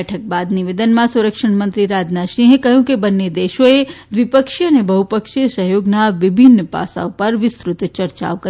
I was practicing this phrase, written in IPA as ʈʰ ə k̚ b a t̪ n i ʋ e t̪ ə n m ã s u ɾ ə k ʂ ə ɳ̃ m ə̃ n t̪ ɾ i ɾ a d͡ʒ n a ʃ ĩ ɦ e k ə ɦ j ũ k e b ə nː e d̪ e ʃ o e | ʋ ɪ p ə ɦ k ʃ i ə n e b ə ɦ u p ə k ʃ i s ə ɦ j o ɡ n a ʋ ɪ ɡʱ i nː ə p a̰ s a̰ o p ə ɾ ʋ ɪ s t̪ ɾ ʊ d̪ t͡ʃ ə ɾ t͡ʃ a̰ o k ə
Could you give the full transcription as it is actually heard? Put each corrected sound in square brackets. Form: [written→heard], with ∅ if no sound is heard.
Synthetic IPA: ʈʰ ə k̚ b a [t̪→d̪] n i ʋ e [t̪→d̪] ə n m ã s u ɾ ə k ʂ ə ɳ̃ m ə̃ n t̪ ɾ i ɾ a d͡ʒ n a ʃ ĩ ɦ e k ə ɦ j ũ k e b ə nː e d̪ e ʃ o e | ʋ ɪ p ə [ɦ→∅] k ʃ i ə n e b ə ɦ u p ə k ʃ i s ə ɦ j o ɡ n a ʋ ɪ [ɡʱ→bʱ] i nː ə p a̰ s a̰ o p ə ɾ ʋ ɪ s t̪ ɾ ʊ [d̪→t̪] t͡ʃ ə ɾ t͡ʃ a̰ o k ə